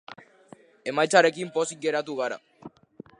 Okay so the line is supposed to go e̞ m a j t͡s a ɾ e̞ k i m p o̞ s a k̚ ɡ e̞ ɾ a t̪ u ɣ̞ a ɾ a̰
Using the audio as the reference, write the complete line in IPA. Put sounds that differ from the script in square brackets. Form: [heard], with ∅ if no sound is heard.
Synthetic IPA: e̞ m a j t͡s a ɾ e̞ k i m p o̞ s [i] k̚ ɡ e̞ ɾ a t̪ u ɣ̞ a ɾ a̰